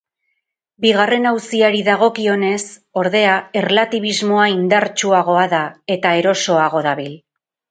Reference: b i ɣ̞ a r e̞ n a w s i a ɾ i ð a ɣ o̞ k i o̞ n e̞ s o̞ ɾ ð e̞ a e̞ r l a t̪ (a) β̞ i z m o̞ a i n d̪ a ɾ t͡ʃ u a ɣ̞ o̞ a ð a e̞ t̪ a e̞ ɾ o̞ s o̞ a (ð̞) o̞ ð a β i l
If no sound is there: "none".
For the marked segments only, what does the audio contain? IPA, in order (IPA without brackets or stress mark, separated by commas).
i, ɣ̞